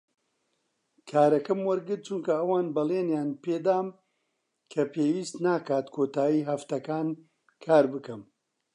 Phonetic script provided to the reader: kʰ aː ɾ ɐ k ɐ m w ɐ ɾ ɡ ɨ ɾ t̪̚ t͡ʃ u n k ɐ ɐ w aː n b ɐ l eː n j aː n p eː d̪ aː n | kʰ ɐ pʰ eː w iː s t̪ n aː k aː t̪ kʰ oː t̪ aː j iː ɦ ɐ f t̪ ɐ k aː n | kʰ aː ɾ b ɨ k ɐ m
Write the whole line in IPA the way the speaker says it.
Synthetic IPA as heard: kʰ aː ɾ ɐ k ɐ m w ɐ ɾ ɡ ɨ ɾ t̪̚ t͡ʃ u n k ɐ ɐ w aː n b ɐ l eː n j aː n p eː d̪ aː m | kʰ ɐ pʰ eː w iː s t̪ n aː k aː t̪ kʰ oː t̪ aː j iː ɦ ɐ f t̪ ɐ k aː n | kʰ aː ɾ b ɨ k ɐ m